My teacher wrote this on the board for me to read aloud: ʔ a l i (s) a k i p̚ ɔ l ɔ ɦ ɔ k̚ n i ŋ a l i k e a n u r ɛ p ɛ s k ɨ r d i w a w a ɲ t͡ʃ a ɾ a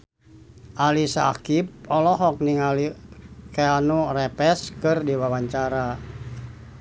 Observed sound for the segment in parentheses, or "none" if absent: s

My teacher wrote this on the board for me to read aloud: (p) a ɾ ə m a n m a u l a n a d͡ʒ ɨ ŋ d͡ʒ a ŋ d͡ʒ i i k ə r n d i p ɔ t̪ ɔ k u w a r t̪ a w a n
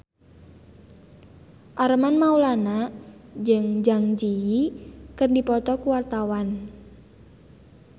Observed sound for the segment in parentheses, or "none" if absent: ʔ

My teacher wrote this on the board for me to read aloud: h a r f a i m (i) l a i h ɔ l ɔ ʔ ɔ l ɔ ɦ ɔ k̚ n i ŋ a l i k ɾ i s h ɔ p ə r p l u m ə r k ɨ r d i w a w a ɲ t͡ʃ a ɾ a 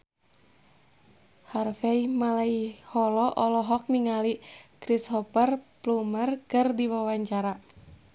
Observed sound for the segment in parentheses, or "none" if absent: a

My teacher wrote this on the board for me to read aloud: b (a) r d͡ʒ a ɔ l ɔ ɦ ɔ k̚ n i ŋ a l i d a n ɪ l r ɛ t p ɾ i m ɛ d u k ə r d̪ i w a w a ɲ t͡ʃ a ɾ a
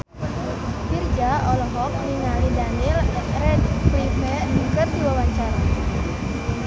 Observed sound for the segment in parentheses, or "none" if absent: i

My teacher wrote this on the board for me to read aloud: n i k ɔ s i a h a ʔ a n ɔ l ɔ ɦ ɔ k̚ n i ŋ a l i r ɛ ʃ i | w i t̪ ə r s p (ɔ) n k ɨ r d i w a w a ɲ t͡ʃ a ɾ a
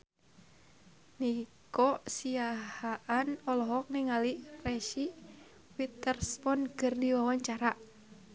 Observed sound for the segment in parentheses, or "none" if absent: ɔ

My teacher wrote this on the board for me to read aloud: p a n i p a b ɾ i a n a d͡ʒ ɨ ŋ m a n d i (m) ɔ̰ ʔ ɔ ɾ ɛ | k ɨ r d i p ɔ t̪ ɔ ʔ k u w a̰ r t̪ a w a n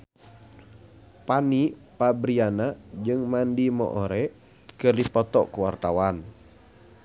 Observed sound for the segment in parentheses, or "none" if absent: m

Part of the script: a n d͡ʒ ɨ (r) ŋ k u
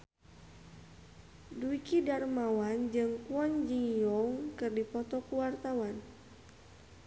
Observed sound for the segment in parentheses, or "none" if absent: none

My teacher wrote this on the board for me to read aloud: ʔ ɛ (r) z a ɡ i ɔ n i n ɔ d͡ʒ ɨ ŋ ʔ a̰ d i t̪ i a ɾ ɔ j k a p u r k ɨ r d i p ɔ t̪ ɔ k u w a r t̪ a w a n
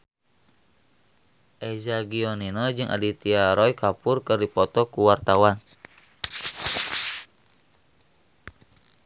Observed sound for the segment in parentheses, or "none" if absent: none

